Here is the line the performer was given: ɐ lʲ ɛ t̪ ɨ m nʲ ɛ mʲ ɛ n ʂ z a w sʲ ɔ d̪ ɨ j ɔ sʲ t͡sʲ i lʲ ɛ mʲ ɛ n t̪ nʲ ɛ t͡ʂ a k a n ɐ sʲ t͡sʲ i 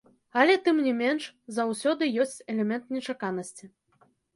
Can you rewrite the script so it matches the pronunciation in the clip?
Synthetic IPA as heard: ɐ lʲ ɛ t̪ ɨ m nʲ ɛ mʲ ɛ n ʂ z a w sʲ ɔ d̪ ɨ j ɔ sʲ t͡sʲ ɛ lʲ ɛ mʲ ɛ n t̪ nʲ ɛ t͡ʂ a k a n ɐ sʲ t͡sʲ i